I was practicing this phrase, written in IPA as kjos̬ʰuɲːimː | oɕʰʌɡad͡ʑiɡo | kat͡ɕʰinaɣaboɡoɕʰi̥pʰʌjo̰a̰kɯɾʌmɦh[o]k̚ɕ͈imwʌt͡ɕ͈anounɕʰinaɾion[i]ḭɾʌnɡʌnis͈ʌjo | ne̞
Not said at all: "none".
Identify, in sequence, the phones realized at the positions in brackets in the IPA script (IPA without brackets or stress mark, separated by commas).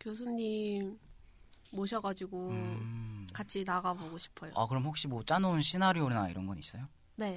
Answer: o, a